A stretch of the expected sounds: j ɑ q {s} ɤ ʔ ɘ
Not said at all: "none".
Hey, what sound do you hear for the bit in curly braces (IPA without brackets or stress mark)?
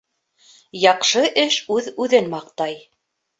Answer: ʃ